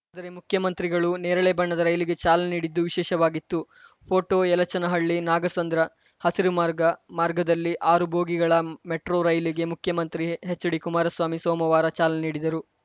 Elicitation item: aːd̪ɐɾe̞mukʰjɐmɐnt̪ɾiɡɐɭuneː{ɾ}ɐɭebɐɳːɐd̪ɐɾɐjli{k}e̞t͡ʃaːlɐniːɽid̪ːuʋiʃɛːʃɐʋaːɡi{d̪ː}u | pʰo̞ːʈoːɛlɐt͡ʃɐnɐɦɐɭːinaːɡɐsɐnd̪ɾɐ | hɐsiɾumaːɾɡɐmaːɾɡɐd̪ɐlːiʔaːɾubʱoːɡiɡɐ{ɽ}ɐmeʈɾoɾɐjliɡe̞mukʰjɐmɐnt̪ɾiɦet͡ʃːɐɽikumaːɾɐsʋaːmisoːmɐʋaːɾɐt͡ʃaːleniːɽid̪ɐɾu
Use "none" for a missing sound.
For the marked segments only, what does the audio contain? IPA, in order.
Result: ɾ, ɡ, t̪ː, ɭ

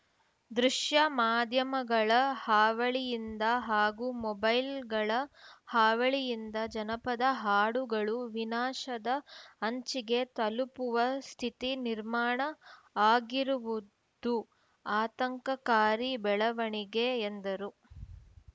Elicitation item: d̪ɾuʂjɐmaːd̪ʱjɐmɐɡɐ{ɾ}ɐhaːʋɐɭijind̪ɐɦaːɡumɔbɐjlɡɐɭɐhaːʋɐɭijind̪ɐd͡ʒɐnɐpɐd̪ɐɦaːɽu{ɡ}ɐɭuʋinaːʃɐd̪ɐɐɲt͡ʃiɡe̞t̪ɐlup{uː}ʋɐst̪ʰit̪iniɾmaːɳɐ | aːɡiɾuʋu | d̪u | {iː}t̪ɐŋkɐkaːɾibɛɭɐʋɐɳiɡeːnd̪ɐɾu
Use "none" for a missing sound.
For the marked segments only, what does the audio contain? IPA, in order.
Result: ɭ, ɡ, u, aː

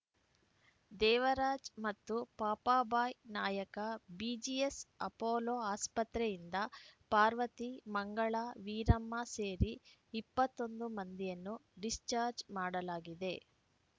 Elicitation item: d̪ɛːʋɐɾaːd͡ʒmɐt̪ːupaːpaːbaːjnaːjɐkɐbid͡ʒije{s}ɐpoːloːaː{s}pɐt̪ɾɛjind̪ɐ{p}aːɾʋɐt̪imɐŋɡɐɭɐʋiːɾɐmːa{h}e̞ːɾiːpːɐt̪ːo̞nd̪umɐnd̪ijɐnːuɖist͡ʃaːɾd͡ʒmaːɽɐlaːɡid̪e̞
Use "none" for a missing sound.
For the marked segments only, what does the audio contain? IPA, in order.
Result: s, s, p, s

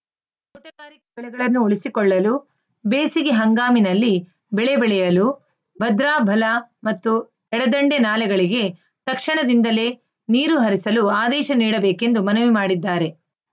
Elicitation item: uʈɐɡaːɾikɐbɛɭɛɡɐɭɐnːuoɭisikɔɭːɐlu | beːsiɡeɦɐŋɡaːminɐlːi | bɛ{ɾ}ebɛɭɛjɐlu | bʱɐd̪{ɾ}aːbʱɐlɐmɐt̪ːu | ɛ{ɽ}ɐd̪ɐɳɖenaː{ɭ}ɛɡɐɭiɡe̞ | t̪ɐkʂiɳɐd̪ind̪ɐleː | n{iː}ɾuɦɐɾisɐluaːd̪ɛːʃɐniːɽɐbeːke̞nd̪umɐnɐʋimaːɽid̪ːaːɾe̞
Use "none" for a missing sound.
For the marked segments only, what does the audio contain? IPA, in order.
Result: ɭ, ɾ, ɽ, l, iː

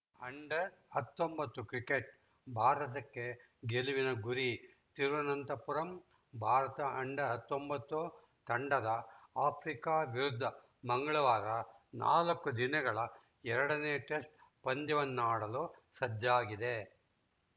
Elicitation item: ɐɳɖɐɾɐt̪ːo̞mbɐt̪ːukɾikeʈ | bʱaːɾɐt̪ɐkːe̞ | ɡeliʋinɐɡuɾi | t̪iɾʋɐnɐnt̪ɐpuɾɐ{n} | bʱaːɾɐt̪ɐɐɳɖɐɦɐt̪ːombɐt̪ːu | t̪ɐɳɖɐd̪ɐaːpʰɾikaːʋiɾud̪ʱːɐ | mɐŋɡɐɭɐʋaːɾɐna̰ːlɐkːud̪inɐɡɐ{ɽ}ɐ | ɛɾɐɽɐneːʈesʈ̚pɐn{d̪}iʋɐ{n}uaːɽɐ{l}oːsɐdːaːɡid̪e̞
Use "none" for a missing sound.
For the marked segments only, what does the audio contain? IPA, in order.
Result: m, ɭ, d̪, nː, l

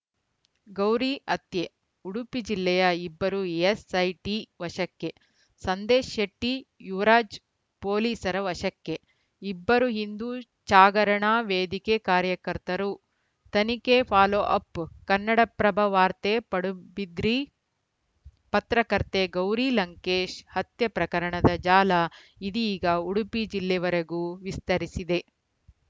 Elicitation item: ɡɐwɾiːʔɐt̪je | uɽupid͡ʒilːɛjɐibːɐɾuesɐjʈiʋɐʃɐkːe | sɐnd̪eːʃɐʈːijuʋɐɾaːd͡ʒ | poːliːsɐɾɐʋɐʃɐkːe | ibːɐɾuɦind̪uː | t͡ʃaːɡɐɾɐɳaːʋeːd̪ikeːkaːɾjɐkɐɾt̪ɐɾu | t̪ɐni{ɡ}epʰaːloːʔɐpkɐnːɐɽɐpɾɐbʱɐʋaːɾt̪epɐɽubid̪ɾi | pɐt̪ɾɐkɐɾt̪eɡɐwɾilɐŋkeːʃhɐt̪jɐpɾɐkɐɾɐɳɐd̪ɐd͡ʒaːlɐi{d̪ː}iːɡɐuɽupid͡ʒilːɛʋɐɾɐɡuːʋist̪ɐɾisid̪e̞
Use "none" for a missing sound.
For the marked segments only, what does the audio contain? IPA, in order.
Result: k, d̪

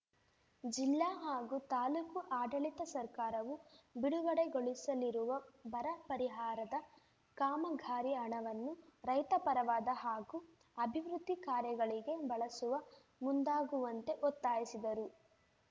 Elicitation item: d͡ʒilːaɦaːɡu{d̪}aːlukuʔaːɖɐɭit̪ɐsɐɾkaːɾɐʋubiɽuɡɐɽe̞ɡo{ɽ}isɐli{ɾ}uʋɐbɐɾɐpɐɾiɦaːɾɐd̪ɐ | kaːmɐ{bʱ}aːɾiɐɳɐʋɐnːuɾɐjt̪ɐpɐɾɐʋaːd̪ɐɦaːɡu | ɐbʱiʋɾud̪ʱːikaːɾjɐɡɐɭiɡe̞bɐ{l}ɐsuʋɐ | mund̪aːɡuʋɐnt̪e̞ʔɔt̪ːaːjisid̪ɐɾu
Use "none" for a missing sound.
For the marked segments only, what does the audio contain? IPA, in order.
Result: t̪, ɭ, ɾ, ɡʱ, ɭ

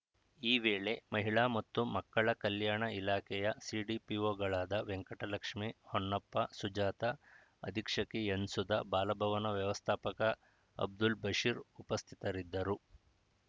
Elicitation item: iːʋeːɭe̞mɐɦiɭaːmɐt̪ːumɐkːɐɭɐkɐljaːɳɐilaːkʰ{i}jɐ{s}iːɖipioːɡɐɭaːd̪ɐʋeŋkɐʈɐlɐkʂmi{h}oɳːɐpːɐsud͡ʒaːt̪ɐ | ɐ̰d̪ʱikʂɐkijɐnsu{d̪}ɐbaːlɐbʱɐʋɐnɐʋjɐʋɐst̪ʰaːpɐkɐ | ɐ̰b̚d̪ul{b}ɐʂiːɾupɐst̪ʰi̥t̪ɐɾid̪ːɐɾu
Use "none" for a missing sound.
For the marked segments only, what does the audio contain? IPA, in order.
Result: ɛ, s, h, d̪, b

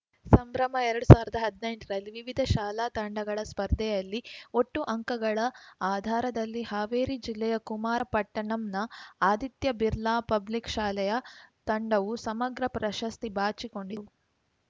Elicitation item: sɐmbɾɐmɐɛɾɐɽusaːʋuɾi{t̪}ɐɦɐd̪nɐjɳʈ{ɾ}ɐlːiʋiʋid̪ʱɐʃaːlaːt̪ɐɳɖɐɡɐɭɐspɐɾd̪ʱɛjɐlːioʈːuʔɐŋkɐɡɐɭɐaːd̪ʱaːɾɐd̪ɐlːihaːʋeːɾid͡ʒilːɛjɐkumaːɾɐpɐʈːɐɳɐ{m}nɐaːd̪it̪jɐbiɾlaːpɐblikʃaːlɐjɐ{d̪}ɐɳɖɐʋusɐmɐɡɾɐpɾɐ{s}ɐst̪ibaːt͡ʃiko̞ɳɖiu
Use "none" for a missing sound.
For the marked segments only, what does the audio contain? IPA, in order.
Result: d̪, ɾ, m, t̪, ʃ

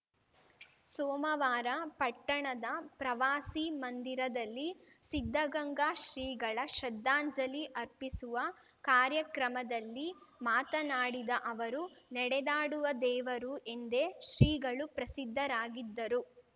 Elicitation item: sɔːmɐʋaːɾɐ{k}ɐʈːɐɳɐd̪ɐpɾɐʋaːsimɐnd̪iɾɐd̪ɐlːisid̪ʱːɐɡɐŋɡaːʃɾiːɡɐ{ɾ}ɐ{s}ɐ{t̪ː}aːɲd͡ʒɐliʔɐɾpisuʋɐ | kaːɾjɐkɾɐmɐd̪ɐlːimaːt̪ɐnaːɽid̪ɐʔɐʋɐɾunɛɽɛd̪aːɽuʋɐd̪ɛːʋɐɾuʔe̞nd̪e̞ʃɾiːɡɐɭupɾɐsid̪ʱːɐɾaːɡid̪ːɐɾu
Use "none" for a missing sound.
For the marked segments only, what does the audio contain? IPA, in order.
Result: p, ɭ, ʃ, d̪ː

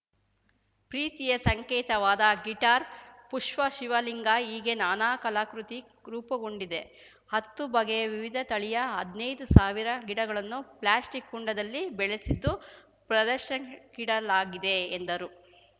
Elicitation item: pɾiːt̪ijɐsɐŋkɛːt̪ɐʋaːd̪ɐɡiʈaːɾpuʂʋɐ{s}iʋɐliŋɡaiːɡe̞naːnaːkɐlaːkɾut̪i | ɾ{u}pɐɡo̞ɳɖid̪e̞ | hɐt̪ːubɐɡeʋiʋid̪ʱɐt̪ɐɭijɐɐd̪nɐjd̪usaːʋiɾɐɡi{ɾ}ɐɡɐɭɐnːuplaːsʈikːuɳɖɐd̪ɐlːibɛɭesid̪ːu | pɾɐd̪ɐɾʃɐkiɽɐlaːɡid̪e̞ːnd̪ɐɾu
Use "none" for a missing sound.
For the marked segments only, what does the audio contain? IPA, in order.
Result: ʃ, uː, ɽ

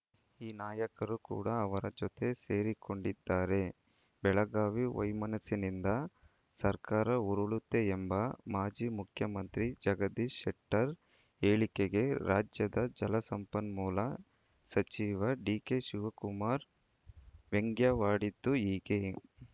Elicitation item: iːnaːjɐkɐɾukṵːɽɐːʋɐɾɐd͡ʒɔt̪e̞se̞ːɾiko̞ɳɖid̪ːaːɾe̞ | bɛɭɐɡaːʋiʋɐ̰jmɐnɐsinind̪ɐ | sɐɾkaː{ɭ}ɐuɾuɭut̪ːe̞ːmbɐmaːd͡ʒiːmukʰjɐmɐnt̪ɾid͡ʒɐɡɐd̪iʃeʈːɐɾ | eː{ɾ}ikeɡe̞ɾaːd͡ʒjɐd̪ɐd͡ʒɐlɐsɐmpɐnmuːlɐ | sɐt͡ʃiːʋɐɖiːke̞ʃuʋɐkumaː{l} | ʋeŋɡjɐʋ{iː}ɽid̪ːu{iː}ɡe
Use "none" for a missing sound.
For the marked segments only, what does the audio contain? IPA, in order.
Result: ɾ, ɭ, ɾ, aː, iː

